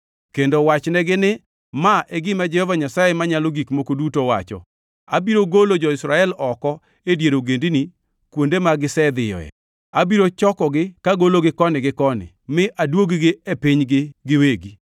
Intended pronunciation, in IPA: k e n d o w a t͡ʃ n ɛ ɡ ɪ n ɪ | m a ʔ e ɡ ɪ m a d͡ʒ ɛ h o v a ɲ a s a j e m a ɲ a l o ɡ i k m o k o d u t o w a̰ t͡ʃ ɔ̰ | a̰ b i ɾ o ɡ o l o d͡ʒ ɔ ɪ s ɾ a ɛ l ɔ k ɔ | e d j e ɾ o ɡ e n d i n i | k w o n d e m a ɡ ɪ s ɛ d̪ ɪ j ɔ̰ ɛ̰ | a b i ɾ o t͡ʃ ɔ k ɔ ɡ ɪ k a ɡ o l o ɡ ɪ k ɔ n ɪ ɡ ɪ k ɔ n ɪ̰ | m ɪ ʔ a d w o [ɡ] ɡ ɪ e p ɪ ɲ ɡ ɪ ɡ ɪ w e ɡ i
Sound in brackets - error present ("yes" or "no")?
no